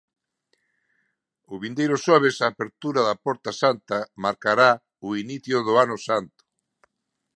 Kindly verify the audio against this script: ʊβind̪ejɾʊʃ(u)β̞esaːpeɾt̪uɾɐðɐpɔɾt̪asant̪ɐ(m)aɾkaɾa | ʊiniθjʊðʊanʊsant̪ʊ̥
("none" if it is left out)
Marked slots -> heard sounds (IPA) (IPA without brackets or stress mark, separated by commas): ɔ, m